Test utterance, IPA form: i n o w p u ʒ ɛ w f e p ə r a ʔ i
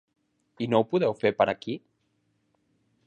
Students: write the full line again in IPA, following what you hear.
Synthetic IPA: i n o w p u ð ɛ w f e p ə ɾ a k i